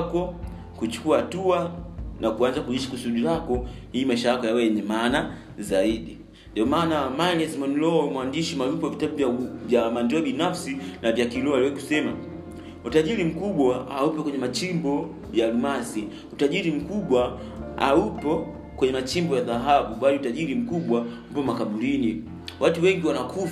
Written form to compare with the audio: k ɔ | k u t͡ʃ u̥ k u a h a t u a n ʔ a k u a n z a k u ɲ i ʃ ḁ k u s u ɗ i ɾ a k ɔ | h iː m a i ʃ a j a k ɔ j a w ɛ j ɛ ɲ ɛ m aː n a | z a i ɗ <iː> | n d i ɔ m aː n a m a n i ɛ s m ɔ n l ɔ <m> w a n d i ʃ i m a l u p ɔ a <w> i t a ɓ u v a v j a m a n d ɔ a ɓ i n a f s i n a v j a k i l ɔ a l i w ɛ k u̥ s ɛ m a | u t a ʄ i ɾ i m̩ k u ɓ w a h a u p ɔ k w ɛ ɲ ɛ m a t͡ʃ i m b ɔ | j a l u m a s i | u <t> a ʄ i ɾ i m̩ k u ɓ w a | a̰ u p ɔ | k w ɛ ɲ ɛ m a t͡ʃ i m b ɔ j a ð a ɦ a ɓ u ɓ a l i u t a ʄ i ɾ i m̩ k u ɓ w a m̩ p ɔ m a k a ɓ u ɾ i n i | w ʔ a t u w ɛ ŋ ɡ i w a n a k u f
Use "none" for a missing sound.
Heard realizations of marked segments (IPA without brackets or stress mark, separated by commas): i, m, v, t